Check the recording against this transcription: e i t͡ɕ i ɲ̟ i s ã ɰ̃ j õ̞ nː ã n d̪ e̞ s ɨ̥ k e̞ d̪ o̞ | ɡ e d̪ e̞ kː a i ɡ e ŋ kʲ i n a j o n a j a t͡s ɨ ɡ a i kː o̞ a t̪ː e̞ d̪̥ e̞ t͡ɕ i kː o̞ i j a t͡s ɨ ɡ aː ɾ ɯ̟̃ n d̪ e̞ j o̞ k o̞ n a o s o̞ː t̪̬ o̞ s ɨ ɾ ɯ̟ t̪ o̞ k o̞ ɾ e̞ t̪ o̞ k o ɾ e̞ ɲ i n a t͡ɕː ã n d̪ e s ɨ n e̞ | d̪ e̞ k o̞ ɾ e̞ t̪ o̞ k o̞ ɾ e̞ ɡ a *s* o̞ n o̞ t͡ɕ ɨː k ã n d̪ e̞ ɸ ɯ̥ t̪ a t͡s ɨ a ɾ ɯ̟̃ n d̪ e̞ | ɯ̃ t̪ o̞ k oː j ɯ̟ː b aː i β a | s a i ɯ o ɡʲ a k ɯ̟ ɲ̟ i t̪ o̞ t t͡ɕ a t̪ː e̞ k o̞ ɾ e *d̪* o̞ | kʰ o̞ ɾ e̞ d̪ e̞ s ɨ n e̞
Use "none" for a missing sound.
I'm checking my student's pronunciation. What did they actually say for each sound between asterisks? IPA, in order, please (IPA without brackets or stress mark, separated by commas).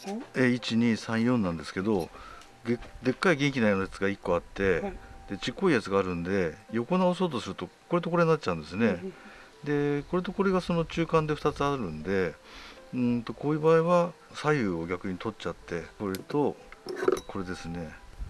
s, t̪